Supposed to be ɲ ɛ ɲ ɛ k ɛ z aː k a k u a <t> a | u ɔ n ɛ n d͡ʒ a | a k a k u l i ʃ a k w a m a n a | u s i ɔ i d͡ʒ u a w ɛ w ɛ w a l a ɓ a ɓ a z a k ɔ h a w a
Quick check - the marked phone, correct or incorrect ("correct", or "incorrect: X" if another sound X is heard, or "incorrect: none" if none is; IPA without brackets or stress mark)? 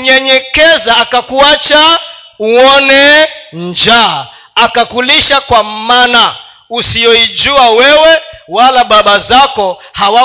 incorrect: t͡ʃ